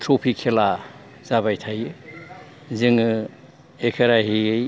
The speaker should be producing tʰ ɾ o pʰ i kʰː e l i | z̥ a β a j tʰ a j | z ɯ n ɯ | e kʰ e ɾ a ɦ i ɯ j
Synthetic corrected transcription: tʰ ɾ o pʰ i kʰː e l a | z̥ a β a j tʰ a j | z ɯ ŋ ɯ | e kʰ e ɾ a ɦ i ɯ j